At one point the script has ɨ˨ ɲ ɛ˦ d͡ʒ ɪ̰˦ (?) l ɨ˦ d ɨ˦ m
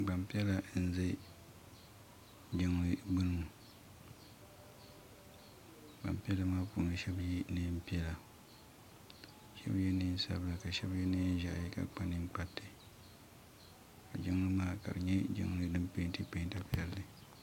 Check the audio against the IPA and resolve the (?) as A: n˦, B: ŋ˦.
B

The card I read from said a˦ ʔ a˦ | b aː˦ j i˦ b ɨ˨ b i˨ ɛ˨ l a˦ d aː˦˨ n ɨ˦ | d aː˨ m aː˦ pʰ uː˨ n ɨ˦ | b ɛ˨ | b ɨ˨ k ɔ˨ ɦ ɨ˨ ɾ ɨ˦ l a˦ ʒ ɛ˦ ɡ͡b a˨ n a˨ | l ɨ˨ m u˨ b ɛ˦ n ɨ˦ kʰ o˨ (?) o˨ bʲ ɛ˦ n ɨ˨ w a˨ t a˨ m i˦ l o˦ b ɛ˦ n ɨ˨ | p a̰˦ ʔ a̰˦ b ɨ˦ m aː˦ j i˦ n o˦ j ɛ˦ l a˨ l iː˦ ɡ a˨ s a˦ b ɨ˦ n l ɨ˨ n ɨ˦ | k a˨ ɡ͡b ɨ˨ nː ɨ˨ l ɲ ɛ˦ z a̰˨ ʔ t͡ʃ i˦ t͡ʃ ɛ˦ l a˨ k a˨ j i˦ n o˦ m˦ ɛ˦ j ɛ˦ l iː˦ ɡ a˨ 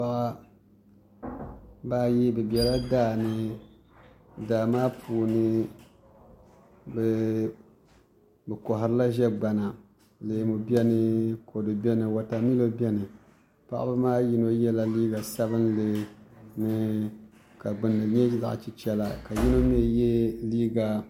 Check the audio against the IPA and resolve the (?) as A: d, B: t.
A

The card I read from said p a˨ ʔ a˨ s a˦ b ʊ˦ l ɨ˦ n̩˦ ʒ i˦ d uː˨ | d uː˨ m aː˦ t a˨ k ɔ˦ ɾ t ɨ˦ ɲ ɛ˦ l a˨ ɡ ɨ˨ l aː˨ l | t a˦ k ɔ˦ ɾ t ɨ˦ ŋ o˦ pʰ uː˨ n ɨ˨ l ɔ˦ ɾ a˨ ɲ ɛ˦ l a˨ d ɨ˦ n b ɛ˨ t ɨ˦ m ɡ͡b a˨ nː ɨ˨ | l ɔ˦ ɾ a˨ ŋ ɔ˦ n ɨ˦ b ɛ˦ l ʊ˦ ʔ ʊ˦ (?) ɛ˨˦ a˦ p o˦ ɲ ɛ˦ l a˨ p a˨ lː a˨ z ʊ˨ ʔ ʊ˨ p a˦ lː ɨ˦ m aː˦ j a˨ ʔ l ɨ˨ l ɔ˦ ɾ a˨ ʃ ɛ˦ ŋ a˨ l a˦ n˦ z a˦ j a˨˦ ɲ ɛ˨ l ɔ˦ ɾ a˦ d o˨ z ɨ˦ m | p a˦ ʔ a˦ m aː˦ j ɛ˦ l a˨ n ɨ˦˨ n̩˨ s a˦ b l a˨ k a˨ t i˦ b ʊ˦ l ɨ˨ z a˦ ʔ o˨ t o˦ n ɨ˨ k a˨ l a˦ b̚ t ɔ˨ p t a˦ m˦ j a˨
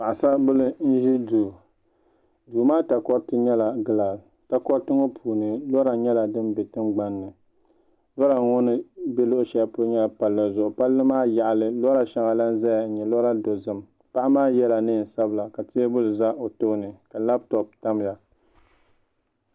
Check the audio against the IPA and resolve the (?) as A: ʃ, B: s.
A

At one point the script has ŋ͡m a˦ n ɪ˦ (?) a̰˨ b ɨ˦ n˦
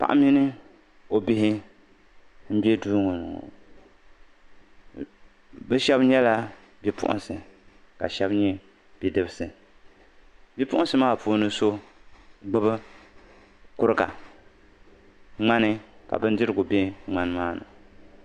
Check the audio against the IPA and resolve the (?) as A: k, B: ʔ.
A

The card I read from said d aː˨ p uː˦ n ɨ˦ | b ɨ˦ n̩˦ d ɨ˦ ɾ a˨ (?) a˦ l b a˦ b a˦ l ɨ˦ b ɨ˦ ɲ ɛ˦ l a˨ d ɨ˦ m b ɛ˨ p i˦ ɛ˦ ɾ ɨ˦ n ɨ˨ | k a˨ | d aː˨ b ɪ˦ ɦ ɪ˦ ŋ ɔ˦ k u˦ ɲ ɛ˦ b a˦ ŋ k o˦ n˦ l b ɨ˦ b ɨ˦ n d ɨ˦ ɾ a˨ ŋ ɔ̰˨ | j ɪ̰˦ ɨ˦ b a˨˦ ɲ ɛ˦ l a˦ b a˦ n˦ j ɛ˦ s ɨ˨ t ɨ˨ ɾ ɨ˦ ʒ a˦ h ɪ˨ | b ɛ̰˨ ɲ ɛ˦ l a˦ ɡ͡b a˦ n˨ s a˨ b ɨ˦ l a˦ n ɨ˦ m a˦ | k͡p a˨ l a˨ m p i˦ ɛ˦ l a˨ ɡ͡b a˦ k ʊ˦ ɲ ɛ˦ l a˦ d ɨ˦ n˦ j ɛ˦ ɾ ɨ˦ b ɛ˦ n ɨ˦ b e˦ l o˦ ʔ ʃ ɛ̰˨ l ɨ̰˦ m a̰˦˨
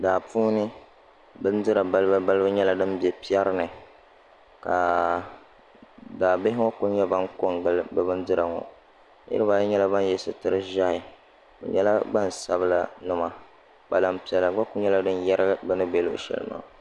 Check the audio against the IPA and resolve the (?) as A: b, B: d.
A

